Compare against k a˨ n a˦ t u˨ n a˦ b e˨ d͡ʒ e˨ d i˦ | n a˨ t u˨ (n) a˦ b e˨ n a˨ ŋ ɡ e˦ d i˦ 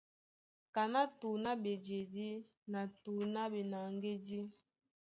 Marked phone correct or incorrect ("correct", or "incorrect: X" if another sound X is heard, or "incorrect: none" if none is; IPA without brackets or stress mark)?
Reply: correct